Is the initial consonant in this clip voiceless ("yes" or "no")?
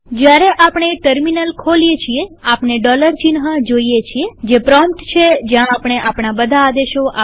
no